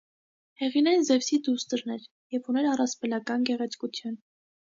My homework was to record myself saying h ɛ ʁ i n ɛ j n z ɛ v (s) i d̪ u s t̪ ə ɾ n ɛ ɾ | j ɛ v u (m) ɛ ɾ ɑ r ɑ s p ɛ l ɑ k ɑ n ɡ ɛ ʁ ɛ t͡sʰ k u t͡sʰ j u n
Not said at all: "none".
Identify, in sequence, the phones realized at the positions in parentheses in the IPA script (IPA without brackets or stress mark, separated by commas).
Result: s, n